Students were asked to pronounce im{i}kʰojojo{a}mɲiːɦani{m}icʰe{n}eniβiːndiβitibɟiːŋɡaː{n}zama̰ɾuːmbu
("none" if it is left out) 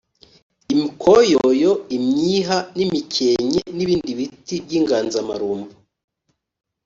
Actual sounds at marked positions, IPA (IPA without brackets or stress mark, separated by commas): i, i, m, ɲ, n